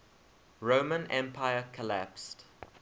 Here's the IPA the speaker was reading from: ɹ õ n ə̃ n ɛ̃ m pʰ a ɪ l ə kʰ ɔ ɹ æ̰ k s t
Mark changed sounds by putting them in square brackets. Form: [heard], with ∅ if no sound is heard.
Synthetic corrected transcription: ɹ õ [m] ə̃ n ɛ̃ m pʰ a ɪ [∅] ə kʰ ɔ [l] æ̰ [p] s t